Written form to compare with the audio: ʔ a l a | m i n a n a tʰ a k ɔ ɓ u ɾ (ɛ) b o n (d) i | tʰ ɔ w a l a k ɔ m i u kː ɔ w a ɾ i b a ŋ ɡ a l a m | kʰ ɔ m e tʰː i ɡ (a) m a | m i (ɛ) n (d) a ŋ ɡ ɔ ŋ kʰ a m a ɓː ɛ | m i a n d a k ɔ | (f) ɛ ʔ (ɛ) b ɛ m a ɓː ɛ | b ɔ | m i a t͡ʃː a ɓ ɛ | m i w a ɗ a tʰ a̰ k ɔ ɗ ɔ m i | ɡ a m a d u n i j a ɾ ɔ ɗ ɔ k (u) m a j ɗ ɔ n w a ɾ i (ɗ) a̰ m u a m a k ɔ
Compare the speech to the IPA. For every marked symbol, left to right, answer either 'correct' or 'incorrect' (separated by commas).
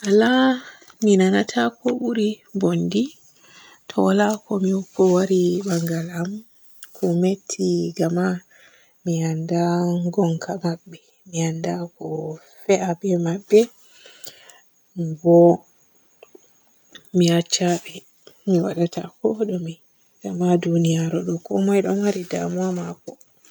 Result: incorrect, correct, correct, incorrect, correct, correct, incorrect, incorrect, incorrect